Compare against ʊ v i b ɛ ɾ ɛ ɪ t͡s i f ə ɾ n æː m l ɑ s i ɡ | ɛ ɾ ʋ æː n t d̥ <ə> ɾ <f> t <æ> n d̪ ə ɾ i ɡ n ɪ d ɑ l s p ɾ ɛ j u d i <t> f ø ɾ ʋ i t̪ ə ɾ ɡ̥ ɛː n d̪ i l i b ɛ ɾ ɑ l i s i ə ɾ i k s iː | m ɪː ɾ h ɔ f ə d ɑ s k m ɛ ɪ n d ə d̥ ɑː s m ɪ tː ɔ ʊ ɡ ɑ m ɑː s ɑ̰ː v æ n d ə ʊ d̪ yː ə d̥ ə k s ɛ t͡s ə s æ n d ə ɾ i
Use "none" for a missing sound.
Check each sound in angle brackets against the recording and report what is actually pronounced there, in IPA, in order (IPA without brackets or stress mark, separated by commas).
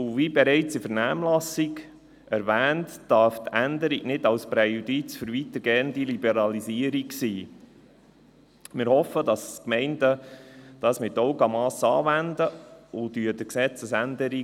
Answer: ɑ, f, æ, t͡s